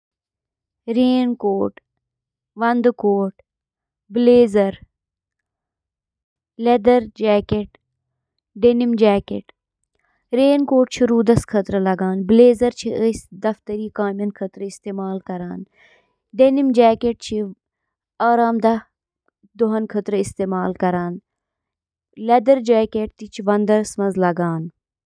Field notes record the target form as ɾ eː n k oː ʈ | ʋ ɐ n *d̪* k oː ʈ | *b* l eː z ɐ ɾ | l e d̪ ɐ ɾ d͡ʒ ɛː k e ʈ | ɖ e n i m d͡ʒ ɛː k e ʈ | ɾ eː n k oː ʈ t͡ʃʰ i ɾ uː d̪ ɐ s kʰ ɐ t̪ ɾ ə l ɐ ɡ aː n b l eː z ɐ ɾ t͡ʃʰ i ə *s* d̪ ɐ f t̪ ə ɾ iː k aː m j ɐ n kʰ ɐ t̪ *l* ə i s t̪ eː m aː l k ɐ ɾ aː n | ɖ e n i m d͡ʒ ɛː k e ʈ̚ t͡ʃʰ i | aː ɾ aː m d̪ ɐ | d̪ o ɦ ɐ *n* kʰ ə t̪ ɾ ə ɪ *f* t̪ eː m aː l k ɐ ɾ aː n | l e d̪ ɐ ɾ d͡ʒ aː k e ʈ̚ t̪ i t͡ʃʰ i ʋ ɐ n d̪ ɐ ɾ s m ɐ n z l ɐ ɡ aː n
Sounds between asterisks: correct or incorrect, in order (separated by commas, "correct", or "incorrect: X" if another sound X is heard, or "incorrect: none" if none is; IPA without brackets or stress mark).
correct, correct, correct, incorrect: ɾ, correct, incorrect: s